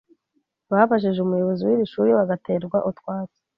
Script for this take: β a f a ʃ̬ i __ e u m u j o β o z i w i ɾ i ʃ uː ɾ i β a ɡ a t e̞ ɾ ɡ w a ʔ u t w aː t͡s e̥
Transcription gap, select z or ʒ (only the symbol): ʒ